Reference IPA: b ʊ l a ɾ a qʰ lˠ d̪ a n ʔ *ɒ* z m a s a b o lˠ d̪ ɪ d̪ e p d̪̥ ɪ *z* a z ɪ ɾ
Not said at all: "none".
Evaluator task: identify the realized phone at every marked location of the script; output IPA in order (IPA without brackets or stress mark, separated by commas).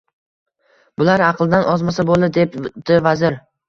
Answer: ɒ, v